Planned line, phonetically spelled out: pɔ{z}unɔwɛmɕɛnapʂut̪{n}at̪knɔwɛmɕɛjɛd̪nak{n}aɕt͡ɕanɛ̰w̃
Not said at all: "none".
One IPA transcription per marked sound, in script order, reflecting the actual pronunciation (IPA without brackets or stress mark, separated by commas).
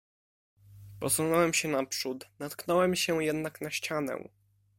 s, n, n